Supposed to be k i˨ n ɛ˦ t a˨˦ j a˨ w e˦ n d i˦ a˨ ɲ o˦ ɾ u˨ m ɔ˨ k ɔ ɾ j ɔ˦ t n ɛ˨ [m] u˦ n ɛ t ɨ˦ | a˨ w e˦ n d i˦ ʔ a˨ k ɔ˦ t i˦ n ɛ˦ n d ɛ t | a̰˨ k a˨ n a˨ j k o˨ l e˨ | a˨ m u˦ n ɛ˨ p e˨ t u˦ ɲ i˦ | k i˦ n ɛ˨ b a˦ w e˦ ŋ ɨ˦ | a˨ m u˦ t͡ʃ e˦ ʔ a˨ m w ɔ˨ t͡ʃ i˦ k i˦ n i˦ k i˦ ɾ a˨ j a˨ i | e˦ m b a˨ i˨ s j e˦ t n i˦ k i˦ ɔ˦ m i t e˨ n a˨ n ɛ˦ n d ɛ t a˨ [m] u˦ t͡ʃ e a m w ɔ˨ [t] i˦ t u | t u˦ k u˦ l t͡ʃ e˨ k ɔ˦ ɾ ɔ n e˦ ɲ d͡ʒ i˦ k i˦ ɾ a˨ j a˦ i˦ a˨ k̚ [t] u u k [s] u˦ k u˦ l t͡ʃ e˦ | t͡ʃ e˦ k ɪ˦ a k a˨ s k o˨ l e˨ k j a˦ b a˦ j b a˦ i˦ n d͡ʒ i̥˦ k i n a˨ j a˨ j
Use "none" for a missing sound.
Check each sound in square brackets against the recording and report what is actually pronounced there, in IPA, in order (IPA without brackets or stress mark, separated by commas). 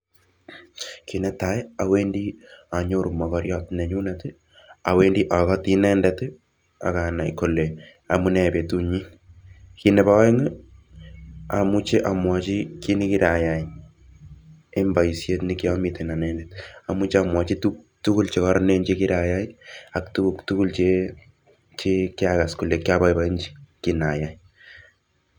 ɲ, m, t͡ʃ, t, t